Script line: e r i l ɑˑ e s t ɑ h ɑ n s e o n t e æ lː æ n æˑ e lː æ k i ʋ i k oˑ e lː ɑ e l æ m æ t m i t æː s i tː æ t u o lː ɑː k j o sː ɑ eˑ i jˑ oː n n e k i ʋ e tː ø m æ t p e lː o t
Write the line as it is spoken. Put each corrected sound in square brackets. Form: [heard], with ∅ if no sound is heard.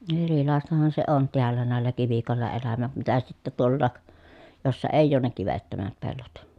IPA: e r i l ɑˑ e s t ɑ h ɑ n s e o n t e æ lː æ n æˑ e lː æ k i ʋ i k oˑ e lː ɑ e l æ m æ t m i t [æ] s i tː æ t u o lː ɑː k j o sː ɑ eˑ i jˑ oː n n e k i ʋ e tː ø m æ t p e lː o t